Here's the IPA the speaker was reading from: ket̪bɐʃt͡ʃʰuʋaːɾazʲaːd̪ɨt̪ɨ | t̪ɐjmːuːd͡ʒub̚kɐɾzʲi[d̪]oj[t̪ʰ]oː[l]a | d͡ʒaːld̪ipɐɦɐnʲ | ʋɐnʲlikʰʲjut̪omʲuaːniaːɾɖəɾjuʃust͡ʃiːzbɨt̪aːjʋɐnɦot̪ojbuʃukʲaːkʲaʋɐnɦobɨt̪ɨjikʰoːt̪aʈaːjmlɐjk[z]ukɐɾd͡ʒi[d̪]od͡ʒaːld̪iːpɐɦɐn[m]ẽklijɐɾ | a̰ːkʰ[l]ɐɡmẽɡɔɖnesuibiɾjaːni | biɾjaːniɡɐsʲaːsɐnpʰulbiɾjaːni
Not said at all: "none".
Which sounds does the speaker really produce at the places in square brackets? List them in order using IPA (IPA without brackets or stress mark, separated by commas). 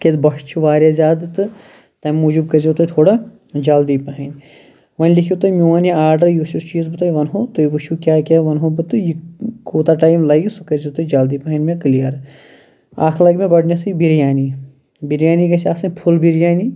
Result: t̪, t̪ʰ, ɽ, s, t̪, m, l